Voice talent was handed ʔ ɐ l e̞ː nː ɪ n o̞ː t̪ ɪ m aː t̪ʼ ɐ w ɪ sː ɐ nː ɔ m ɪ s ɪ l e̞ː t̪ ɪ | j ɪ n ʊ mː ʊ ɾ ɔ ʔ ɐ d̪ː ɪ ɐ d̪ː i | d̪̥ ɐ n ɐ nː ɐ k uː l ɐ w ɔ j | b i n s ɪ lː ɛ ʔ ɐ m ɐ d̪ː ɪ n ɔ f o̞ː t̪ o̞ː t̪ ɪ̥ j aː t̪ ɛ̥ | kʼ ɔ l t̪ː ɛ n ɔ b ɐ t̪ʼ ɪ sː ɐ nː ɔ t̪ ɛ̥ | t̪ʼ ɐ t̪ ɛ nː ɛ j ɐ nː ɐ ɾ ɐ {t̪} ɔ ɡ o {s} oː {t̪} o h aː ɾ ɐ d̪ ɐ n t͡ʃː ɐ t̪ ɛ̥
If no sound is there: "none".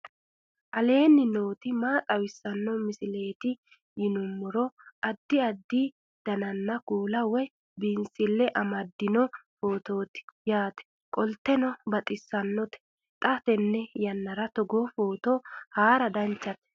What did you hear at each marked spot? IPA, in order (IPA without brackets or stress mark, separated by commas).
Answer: t̪, f, t̪